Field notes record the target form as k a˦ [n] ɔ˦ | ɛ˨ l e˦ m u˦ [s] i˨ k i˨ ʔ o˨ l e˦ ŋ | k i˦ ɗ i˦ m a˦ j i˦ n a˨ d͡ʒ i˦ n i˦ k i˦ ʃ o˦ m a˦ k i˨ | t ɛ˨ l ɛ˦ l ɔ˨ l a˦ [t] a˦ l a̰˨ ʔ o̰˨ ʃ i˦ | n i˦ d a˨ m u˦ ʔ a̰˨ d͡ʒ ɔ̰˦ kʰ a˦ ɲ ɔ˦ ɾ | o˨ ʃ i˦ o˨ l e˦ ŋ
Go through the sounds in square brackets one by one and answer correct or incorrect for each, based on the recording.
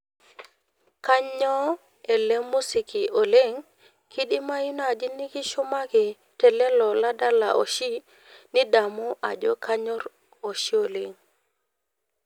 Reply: incorrect: ɲ, correct, incorrect: d

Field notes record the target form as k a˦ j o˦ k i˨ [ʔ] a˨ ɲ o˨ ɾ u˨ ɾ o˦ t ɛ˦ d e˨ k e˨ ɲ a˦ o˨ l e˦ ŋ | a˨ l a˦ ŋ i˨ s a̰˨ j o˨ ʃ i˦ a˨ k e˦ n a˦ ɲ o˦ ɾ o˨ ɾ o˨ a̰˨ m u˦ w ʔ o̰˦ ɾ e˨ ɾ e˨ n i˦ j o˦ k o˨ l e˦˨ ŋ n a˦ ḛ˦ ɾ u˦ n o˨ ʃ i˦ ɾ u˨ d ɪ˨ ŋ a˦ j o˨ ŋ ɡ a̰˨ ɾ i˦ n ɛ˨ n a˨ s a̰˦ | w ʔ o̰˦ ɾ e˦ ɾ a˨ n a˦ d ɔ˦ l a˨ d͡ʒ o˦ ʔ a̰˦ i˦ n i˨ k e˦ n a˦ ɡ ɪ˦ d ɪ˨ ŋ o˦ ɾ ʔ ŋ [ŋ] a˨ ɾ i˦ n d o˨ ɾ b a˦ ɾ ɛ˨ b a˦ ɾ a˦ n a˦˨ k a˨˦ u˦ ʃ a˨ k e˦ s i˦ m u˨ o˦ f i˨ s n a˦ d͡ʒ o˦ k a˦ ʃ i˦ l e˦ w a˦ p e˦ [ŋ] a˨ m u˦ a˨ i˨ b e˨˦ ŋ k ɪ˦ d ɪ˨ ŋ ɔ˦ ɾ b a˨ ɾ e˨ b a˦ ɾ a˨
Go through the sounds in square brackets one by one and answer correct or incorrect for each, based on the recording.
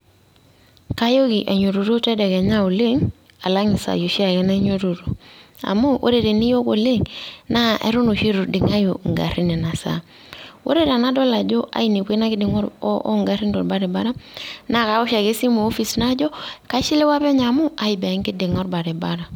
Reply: correct, incorrect: ɡ, incorrect: ɲ

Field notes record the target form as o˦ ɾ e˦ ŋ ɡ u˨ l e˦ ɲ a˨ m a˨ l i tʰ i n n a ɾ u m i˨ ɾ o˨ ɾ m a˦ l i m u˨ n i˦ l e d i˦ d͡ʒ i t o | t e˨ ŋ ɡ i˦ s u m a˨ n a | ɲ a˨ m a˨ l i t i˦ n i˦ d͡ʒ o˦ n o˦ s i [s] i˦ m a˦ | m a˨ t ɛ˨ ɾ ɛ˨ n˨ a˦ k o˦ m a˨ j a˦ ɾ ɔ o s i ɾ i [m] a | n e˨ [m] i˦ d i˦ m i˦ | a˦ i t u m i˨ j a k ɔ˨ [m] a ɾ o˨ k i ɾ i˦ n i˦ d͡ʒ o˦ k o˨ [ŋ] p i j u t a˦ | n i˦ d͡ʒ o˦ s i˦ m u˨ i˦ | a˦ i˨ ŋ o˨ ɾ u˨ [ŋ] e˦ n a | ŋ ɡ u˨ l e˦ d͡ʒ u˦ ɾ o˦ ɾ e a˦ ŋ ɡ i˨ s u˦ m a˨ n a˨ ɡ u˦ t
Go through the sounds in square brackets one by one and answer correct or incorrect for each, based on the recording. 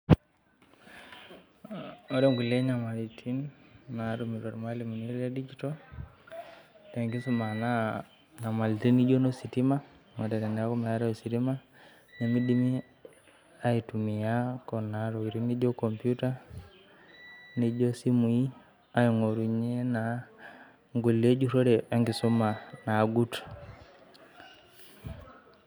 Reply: incorrect: t, correct, correct, incorrect: n, incorrect: m, incorrect: ɲ

